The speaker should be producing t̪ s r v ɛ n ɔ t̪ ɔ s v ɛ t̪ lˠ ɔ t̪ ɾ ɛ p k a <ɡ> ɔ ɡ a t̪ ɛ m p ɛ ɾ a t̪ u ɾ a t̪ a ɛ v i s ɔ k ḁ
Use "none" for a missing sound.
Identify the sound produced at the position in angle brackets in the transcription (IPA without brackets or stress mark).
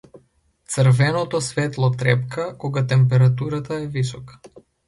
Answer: k